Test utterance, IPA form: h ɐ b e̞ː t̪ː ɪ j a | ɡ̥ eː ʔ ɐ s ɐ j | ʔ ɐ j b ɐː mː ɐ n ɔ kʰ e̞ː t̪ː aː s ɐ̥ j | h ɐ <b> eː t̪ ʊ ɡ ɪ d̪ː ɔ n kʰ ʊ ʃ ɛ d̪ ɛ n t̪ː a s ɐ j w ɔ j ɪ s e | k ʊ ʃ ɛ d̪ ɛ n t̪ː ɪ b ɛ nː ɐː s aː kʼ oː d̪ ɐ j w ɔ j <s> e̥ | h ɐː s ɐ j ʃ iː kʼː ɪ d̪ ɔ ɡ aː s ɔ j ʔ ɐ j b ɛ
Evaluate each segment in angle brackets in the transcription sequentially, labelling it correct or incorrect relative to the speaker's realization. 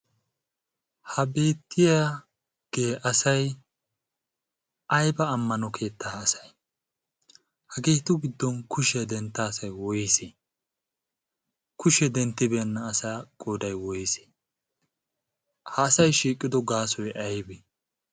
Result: incorrect: ɡ, correct

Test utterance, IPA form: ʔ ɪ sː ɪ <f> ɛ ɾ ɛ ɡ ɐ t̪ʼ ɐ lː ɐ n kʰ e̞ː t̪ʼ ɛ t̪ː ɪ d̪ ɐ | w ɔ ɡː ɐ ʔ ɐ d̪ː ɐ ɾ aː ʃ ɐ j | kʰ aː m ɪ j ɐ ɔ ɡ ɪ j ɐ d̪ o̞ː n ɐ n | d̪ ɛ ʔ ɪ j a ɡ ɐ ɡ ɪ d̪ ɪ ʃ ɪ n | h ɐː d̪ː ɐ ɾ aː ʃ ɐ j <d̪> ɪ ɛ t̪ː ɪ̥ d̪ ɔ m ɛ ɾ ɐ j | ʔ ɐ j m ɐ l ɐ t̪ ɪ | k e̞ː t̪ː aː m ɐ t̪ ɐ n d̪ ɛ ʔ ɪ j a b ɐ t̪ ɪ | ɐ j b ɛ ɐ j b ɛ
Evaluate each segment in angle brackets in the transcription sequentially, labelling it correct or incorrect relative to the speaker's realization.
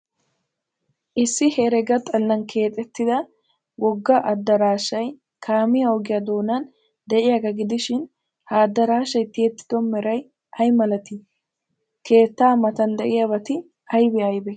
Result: incorrect: h, incorrect: t̪

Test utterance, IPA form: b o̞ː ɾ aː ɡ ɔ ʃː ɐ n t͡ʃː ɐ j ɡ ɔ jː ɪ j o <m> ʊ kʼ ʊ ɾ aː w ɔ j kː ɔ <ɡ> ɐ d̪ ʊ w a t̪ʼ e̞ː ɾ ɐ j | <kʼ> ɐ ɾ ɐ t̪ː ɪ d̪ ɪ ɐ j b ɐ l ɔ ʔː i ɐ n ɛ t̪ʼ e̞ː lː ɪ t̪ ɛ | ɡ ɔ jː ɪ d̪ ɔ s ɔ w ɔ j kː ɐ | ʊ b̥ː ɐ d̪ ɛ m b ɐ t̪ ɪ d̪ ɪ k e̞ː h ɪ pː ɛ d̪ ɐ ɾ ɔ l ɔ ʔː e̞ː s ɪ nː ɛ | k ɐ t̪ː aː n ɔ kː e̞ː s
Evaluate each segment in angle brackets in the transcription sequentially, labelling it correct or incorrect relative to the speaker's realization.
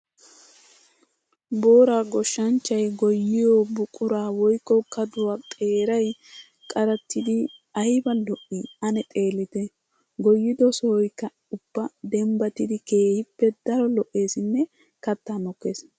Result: incorrect: b, incorrect: k, correct

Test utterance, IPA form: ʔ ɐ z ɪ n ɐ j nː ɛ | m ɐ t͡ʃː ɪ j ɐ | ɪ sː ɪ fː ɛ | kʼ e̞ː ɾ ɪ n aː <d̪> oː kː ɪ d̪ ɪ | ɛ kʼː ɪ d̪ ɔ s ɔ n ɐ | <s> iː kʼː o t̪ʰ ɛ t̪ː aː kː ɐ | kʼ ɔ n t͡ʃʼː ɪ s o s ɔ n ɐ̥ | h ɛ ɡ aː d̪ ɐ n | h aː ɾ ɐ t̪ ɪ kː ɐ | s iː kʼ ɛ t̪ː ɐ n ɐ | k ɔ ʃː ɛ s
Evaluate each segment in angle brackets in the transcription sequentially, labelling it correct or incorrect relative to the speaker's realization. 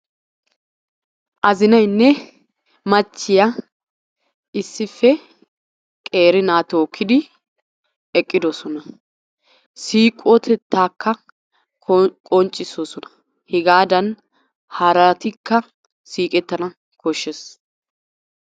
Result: incorrect: t̪, correct

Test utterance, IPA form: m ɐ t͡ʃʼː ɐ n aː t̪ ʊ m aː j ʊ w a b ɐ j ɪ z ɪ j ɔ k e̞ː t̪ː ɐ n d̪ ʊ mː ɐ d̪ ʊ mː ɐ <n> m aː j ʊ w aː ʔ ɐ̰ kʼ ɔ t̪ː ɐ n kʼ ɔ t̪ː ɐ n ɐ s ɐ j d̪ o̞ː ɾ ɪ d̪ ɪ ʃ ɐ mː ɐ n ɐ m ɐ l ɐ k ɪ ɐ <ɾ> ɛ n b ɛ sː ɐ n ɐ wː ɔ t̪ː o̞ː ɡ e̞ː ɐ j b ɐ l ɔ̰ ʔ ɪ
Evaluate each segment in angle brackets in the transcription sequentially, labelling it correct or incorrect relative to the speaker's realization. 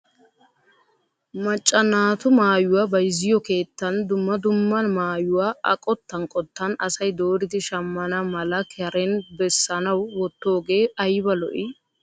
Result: correct, correct

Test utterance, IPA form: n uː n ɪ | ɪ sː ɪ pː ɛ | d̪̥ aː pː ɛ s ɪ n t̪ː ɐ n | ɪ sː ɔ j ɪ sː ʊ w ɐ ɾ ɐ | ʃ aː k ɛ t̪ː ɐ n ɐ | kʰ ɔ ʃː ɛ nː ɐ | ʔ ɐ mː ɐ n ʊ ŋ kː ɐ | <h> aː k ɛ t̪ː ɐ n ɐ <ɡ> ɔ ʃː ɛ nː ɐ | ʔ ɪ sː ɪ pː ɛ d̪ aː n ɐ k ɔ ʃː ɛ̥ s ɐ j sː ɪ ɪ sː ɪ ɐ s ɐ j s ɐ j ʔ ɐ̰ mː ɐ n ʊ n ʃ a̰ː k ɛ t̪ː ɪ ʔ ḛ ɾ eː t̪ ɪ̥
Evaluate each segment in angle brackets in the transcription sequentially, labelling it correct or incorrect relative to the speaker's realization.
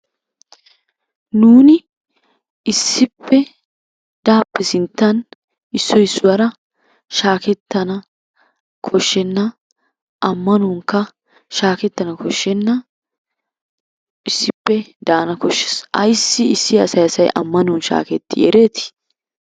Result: incorrect: ʃ, incorrect: k

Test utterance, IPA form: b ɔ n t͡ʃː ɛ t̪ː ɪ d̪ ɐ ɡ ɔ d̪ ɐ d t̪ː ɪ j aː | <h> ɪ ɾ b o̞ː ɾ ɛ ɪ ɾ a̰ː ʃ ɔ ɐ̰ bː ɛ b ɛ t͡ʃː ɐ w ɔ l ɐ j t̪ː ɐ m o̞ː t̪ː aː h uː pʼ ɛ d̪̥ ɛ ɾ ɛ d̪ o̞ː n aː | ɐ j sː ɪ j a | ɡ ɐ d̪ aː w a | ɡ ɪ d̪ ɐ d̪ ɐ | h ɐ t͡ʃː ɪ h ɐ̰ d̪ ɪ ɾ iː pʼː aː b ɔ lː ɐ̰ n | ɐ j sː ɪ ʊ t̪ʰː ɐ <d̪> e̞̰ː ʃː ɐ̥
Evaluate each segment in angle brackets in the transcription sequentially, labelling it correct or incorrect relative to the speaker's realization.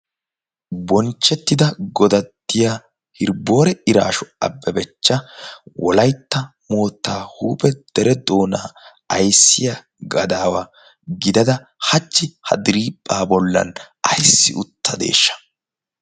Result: correct, correct

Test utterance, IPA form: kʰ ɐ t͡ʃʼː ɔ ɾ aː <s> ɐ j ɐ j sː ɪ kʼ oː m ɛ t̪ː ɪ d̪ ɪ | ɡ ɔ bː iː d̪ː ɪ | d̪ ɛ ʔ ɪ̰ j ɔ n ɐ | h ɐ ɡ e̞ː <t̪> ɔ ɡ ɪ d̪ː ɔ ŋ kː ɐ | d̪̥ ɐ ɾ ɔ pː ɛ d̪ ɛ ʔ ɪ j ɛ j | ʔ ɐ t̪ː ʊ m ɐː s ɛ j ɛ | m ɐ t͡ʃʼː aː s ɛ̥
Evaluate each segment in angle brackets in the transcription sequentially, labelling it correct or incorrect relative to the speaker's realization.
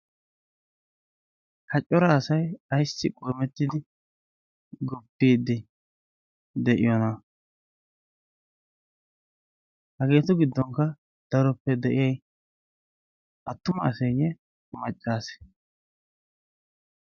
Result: correct, correct

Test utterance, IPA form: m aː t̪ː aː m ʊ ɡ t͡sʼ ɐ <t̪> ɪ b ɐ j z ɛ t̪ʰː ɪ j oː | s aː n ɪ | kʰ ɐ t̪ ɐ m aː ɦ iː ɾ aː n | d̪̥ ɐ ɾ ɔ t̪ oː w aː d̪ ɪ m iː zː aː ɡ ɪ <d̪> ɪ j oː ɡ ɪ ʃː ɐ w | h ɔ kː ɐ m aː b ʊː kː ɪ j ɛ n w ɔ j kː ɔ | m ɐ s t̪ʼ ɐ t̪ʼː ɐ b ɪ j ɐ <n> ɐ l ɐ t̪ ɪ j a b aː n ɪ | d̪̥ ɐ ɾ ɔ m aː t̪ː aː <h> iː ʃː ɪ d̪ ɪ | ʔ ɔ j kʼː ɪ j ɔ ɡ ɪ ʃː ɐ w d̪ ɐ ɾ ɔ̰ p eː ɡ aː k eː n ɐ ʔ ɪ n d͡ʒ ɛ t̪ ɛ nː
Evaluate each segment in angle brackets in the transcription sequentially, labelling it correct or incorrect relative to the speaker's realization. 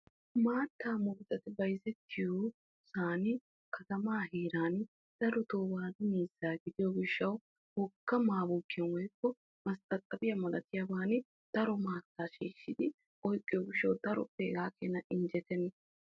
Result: correct, correct, incorrect: m, incorrect: ʃ

